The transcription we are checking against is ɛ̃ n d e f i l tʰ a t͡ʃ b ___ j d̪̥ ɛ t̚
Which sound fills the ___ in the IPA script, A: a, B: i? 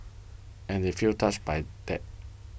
A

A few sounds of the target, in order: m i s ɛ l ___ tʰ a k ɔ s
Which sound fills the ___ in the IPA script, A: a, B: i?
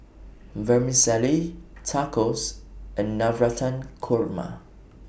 B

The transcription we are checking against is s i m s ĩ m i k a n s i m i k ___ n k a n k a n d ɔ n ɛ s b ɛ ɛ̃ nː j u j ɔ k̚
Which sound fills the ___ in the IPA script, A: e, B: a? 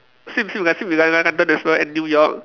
B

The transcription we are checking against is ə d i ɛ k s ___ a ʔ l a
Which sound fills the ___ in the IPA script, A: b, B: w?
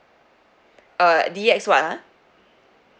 B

